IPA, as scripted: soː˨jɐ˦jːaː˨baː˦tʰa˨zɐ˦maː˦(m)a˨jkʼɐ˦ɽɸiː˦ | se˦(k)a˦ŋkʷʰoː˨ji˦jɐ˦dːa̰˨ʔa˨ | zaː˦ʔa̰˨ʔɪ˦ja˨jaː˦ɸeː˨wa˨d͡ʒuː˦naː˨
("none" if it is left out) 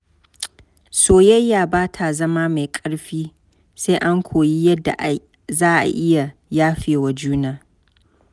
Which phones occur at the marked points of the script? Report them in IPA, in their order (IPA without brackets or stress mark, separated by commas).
m, ʔ